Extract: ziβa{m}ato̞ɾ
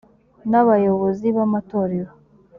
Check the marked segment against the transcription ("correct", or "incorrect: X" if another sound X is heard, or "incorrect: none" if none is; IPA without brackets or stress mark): correct